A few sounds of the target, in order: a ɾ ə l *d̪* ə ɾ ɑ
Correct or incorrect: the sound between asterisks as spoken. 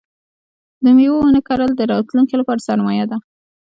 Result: correct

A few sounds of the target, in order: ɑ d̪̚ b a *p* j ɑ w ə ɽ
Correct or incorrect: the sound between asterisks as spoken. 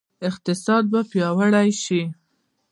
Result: correct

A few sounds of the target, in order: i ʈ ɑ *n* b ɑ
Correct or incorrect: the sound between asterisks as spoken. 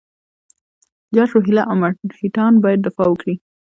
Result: correct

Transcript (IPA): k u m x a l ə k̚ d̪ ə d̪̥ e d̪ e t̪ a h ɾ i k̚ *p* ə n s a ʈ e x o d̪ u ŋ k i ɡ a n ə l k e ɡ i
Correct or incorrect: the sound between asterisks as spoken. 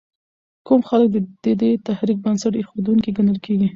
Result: incorrect: b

